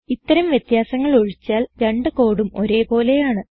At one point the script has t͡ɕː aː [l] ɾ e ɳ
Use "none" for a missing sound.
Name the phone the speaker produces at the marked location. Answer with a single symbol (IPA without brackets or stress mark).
l